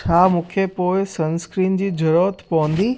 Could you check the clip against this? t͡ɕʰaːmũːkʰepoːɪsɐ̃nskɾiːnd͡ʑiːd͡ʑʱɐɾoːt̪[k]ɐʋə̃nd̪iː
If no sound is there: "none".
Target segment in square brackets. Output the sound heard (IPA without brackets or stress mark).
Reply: p